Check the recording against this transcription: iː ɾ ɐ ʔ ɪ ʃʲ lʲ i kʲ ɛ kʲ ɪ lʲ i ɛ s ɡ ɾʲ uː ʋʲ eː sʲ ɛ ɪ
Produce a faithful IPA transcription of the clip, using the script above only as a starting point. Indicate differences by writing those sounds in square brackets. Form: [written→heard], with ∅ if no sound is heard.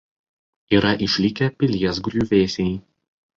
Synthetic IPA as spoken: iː ɾ ɐ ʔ ɪ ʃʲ lʲ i kʲ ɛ [kʲ→pʲ] ɪ lʲ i ɛ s ɡ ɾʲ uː ʋʲ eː sʲ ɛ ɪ